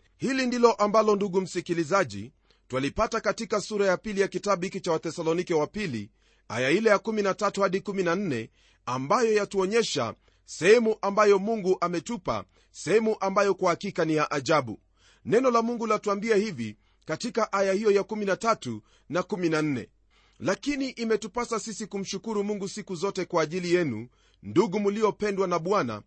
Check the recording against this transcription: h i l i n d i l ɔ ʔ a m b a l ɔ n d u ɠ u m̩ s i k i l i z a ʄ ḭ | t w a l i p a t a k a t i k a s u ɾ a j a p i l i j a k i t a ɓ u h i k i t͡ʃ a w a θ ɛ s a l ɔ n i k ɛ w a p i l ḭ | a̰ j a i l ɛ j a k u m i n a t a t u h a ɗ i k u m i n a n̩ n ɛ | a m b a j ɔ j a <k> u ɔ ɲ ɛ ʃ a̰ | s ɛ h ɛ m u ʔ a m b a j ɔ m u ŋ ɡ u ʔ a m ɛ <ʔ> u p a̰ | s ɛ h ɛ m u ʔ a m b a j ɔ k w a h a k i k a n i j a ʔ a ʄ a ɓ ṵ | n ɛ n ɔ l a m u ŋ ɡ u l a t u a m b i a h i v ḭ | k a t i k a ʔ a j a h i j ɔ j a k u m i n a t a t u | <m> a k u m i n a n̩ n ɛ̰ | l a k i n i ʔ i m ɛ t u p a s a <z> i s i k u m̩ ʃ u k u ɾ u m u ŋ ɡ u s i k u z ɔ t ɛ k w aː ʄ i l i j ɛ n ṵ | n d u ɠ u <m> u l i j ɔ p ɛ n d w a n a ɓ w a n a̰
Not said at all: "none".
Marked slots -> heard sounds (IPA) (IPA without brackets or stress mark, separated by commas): t, t, n, s, m